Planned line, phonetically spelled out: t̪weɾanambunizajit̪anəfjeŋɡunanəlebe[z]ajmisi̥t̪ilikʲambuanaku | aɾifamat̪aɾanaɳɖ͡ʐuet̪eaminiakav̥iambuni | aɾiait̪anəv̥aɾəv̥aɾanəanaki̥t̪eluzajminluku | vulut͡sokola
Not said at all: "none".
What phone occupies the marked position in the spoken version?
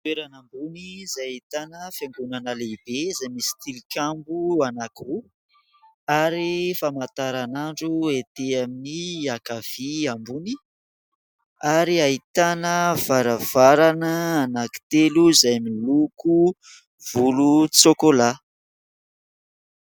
z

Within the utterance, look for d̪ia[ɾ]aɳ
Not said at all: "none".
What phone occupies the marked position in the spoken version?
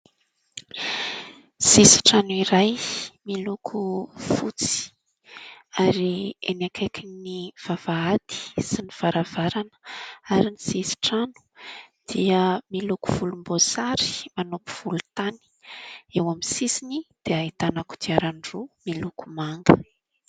ɾ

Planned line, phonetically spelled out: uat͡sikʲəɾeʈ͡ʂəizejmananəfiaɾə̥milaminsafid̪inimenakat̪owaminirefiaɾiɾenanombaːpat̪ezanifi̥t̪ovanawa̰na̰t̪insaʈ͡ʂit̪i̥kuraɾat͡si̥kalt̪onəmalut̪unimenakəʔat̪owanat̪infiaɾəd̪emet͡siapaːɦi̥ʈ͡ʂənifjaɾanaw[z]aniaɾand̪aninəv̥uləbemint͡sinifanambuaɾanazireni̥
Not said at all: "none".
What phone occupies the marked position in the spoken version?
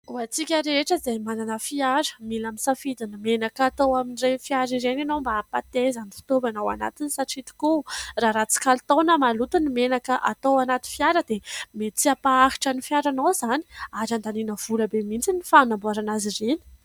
z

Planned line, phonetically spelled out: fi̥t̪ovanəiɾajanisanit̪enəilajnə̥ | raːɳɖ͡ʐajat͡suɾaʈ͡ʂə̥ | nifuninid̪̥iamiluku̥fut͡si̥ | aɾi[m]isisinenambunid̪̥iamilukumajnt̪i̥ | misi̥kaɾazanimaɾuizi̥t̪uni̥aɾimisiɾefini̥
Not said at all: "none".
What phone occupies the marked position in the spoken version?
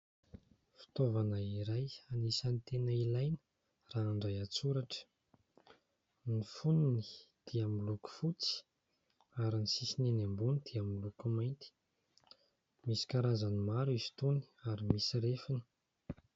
n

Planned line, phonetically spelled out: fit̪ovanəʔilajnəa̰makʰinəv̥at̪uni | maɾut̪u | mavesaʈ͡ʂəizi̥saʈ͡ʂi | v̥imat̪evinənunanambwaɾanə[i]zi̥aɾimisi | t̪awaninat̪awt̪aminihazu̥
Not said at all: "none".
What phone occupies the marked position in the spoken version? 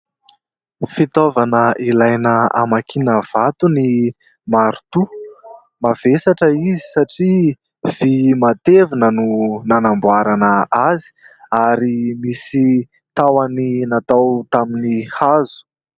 a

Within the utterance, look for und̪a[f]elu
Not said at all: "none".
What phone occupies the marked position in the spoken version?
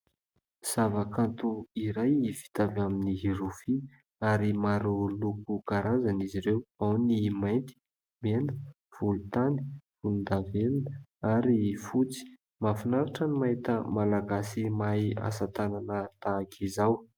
v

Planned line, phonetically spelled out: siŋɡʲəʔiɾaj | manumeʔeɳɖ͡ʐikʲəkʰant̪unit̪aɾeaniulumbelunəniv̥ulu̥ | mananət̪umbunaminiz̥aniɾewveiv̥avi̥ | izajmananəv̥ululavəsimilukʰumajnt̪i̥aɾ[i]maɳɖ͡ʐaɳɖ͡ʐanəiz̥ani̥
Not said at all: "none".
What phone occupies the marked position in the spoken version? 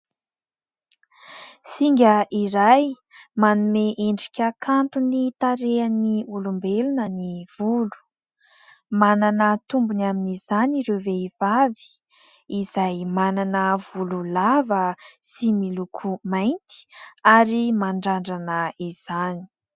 i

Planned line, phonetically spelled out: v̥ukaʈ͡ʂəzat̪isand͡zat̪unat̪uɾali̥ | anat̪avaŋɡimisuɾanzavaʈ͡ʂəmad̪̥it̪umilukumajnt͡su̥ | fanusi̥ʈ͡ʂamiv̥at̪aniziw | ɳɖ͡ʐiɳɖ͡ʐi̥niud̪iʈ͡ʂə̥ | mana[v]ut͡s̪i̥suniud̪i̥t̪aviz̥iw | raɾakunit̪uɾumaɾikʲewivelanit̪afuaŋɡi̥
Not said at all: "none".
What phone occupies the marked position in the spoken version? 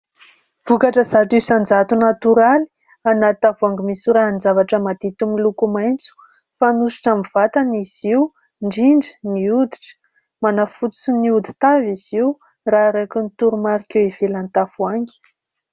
f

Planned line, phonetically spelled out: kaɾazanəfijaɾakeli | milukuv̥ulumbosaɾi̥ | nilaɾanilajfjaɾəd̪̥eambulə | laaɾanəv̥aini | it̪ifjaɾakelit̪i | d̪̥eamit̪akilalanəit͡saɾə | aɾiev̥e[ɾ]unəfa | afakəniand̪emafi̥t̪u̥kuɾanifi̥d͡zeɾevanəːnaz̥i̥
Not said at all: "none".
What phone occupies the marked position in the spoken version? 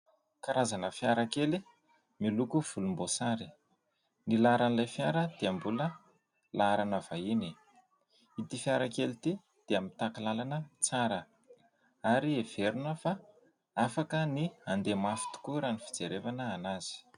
ɾ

